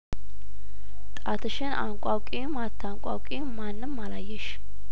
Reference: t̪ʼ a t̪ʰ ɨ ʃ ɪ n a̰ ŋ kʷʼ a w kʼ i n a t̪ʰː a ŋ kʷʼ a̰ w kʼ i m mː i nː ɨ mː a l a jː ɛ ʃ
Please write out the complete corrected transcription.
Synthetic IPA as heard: t̪ʼ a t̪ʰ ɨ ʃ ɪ n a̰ ŋ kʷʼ a w kʼ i m a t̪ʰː a ŋ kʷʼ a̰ w kʼ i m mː a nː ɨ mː a l a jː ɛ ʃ